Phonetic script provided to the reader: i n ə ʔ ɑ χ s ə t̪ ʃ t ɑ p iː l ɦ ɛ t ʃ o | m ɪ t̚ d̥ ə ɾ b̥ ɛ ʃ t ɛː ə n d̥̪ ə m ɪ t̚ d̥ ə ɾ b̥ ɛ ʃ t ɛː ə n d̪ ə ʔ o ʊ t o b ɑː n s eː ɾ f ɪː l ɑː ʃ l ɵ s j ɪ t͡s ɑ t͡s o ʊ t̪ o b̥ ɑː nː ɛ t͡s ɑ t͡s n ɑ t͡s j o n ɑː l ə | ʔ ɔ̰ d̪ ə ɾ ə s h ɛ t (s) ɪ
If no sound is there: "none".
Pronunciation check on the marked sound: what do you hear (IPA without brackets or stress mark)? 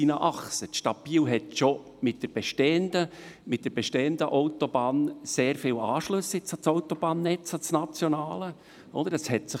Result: s